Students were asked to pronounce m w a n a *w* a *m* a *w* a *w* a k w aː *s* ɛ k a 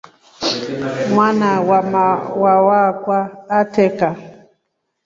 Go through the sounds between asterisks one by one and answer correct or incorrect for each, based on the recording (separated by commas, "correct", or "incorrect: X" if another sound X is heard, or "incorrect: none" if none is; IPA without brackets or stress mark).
correct, correct, correct, correct, incorrect: t